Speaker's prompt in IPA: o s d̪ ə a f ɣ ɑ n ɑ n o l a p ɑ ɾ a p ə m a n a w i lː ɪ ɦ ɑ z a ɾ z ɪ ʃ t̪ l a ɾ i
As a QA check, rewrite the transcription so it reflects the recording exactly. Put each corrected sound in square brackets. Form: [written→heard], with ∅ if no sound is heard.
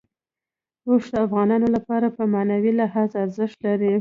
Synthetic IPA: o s d̪ ə a f ɣ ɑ n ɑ n o l a p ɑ ɾ a p ə m a n a w i [lː→l] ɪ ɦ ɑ z a ɾ z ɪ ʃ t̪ l a ɾ i